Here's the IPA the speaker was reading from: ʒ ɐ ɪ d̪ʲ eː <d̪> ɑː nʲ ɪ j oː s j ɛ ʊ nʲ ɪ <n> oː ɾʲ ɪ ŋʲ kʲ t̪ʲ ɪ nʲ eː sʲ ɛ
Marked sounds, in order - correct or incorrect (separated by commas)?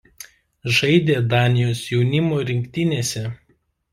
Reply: correct, incorrect